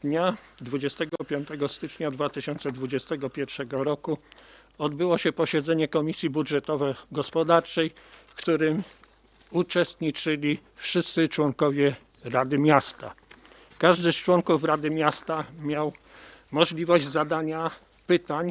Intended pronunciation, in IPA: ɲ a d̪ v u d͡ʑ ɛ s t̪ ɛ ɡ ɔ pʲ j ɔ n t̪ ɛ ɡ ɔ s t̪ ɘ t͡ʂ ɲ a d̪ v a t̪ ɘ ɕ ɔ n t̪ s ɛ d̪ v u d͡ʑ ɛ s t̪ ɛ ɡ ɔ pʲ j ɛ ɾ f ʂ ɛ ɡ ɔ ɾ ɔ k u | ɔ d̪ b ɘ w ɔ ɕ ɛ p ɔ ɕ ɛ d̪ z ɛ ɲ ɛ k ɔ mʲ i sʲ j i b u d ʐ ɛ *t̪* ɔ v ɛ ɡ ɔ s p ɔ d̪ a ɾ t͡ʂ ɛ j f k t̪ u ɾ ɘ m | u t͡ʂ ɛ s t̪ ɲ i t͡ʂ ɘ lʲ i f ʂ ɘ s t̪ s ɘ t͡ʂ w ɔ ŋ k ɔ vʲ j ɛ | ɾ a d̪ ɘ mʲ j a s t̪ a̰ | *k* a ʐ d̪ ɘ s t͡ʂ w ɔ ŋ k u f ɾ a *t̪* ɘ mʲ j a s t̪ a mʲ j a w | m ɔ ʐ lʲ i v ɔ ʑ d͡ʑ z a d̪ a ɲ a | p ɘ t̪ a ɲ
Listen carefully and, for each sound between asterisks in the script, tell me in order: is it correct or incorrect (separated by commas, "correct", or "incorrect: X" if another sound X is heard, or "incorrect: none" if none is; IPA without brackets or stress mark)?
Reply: correct, correct, incorrect: d̪